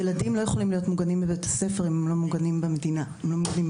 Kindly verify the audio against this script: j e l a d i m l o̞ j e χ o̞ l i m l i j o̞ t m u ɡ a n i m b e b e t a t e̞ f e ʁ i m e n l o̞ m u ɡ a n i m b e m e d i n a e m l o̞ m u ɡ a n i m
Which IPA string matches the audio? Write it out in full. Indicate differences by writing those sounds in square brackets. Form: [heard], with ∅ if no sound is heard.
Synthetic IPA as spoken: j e l a d i m l o̞ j e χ o̞ l i m l i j o̞ t m u ɡ a n i m b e b e t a [s] e̞ f e ʁ i m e [m] l o̞ m u ɡ a n i m b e m e d i n a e m l o̞ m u ɡ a n i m